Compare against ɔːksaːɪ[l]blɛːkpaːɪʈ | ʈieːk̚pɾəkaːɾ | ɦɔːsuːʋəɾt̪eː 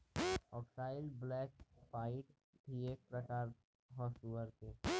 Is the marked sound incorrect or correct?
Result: correct